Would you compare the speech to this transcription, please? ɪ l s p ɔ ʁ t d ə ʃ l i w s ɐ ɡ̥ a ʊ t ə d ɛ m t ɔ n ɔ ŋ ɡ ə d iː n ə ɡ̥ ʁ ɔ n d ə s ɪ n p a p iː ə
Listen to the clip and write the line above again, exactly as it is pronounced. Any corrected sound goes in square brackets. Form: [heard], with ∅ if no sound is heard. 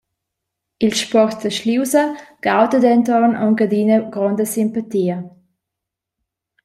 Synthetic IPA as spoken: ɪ l [ʃ] p ɔ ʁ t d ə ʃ l i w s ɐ ɡ̥ a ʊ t ə d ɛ [n] t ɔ n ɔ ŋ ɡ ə d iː n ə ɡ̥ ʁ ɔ n d ə s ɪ [m] p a [t] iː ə